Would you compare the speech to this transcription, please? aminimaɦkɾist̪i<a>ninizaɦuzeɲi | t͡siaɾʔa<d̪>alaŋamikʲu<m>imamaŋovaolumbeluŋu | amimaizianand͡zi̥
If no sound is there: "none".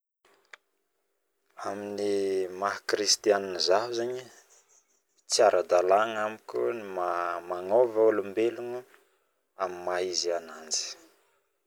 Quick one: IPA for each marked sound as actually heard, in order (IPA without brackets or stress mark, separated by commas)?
a, d̪, n